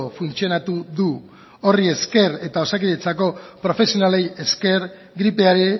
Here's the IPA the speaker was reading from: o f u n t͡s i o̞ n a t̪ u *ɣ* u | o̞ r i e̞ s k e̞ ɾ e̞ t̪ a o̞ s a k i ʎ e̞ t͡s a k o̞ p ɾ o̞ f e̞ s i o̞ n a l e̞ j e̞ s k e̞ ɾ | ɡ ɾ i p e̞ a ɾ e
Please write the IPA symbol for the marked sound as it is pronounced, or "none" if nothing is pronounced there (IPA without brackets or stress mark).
ð